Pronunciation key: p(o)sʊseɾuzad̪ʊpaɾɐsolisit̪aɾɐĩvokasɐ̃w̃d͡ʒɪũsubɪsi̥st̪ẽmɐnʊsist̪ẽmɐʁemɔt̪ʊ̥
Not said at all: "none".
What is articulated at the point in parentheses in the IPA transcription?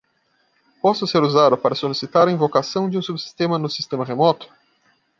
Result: ɔ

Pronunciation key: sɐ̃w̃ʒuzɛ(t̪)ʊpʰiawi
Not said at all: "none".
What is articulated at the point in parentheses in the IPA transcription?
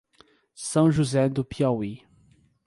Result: d̪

